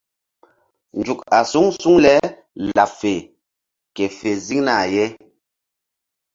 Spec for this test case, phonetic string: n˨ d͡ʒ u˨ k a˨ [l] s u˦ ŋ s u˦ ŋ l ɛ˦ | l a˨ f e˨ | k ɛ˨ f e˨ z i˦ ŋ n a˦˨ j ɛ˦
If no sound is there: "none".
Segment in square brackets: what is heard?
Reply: none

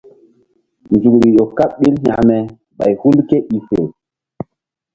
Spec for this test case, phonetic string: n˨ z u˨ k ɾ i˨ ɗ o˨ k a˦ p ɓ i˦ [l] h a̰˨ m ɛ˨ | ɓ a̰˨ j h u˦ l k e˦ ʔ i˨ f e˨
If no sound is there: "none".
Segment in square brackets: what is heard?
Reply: l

